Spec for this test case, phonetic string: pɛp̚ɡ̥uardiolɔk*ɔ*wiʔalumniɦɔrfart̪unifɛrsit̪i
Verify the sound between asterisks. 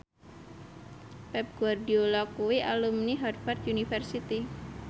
incorrect: u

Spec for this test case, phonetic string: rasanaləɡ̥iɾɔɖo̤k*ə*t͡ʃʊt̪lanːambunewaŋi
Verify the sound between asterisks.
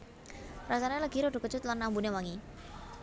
correct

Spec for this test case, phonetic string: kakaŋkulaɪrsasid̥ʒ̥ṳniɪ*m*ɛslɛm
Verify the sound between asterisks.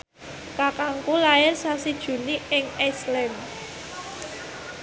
incorrect: ŋ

